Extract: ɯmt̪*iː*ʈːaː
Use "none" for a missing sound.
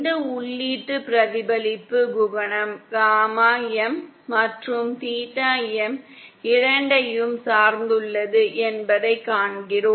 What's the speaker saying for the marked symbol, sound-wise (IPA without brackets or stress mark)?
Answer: iː